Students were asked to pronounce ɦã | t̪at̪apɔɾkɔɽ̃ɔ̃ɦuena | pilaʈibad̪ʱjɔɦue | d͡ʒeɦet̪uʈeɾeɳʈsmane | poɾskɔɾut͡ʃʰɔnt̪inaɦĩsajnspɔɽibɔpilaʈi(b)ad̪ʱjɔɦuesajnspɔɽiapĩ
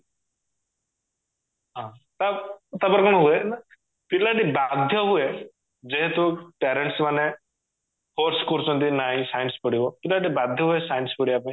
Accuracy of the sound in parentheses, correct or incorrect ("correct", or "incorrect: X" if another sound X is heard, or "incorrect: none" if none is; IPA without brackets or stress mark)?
correct